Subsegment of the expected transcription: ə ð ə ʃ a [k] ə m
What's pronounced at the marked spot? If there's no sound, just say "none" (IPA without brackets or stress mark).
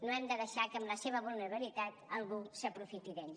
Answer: k